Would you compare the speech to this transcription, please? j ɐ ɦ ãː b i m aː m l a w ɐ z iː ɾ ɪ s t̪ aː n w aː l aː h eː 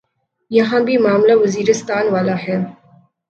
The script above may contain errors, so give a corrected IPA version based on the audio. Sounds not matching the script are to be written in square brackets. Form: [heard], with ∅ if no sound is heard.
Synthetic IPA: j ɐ ɦ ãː b i m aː m l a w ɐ z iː ɾ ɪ s t̪ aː n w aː l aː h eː